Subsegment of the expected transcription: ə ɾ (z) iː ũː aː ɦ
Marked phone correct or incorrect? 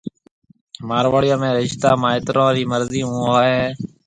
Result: correct